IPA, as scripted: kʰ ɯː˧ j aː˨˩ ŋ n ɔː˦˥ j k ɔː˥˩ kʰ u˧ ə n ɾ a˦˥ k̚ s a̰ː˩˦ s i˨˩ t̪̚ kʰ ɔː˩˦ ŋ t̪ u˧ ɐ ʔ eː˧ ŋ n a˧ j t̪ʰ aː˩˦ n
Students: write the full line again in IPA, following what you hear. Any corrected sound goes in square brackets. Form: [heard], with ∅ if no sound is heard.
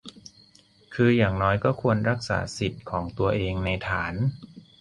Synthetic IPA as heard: kʰ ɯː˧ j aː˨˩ ŋ n ɔː˦˥ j k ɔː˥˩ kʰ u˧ ə n ɾ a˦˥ k̚ s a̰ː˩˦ s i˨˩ t̪̚ kʰ ɔː˩˦ ŋ t̪ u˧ ɐ ʔ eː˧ ŋ n a˧ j t̪ʰ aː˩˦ n